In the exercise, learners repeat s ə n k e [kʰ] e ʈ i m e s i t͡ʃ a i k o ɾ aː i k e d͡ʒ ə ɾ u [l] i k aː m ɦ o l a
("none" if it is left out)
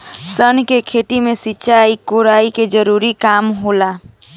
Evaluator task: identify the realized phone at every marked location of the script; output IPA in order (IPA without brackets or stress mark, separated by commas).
kʰ, ɾ